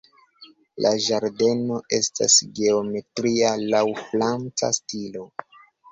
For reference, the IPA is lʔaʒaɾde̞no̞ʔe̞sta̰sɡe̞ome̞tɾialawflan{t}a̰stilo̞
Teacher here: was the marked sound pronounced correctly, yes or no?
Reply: no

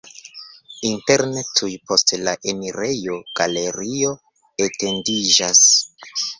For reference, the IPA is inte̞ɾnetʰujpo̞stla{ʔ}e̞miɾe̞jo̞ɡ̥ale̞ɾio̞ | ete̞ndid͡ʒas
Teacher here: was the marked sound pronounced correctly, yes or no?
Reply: yes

